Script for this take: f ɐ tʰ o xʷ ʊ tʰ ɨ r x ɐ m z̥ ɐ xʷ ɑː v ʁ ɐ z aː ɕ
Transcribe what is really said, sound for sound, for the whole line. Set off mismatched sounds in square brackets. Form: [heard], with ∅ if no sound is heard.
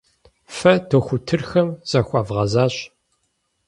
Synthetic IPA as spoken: f ɐ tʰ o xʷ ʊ tʰ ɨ r x ɐ m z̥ ɐ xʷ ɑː v ʁ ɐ z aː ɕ